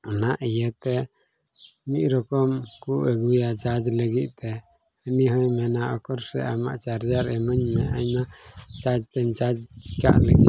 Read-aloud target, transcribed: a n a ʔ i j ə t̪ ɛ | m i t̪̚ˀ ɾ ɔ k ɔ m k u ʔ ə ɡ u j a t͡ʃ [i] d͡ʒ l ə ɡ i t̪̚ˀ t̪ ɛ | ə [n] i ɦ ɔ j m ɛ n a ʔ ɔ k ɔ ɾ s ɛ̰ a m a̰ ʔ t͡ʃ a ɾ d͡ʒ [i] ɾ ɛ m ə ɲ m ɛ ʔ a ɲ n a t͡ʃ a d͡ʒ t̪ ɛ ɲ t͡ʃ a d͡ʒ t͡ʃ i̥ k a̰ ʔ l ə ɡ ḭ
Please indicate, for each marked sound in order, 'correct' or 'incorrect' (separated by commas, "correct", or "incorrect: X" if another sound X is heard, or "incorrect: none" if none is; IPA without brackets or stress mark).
incorrect: a, correct, incorrect: a